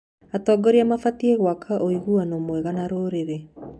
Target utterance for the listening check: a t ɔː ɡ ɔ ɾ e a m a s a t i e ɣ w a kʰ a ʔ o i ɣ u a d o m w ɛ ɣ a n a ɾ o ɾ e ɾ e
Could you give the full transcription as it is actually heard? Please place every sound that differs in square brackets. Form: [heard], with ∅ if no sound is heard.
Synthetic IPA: a t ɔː ɡ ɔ ɾ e a m a [f] a t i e ɣ w a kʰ a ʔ o i ɣ u a [n] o m w ɛ ɣ a n a ɾ o ɾ e ɾ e

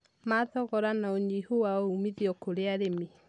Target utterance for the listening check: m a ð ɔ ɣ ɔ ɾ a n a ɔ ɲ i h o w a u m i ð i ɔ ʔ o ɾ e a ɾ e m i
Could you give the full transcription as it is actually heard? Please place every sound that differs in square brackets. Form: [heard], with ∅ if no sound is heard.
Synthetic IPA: m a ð ɔ ɣ ɔ ɾ a n a [o] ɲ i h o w a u m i ð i ɔ [k] o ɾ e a ɾ e m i

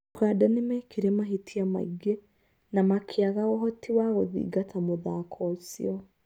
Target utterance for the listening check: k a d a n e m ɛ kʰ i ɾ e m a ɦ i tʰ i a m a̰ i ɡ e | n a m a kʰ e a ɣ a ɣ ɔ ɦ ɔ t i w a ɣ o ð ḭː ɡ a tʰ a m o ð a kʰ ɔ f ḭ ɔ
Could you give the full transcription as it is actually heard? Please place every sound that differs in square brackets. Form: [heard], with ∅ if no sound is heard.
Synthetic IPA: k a d a n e m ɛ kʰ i ɾ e m a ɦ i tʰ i a m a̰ i ɡ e | n a m a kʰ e a ɣ a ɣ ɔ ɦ ɔ t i w a ɣ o ð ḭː ɡ a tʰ a m o ð a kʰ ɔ [s] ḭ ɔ

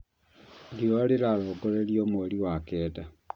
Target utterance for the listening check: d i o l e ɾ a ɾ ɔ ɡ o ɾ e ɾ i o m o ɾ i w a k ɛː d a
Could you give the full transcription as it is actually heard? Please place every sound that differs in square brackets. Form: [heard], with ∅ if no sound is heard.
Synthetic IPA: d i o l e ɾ a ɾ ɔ ɡ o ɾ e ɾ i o m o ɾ i w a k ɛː d a

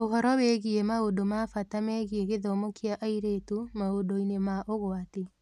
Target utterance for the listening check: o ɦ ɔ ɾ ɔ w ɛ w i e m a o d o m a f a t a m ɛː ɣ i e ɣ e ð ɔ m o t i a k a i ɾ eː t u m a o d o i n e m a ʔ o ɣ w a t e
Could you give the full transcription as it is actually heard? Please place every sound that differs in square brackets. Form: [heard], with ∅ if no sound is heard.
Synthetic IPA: o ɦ ɔ ɾ ɔ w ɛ [ɣ] i e m a o d o m a f a t a m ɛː ɣ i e ɣ e ð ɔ m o [k] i a [ʔ] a i ɾ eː t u m a o d o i n e m a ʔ o ɣ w a t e

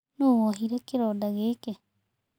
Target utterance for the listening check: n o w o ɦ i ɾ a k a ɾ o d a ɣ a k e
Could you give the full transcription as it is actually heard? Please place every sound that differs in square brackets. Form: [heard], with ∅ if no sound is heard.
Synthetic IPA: n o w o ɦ i ɾ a k [e] ɾ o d a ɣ [e] k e

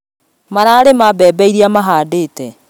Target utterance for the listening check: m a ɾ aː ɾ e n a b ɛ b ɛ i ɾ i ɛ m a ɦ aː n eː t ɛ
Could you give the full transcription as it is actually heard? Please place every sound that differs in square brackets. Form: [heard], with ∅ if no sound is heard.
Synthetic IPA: m a ɾ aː ɾ e [m] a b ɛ b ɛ i ɾ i [a] m a ɦ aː [d] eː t ɛ

